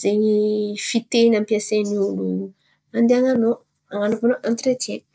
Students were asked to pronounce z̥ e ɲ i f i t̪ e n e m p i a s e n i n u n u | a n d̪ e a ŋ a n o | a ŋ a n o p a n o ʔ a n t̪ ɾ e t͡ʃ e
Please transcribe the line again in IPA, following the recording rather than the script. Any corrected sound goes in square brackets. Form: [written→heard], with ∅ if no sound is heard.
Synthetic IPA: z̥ e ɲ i f i t̪ e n [e→a] m p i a s e n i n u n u | a n d̪ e a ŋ a n o | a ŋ a n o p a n o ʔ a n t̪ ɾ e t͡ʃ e